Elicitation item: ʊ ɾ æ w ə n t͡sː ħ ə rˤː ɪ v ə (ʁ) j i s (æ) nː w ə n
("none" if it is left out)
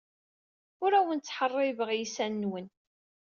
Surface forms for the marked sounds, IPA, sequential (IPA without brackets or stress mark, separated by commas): ʁ, æ